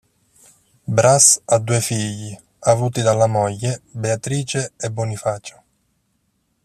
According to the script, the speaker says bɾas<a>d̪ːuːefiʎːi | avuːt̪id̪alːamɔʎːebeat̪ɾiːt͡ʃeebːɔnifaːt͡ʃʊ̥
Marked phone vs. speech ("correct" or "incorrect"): correct